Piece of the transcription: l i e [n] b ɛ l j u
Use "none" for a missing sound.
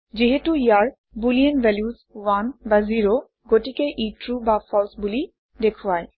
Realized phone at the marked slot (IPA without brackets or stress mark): n